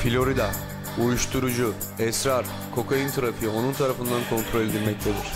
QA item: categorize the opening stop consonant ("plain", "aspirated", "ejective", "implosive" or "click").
plain